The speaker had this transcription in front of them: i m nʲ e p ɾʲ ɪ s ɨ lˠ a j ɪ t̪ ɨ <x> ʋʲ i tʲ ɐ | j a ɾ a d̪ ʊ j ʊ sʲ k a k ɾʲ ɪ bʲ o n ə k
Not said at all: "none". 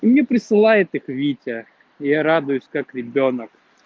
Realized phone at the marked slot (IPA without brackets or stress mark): x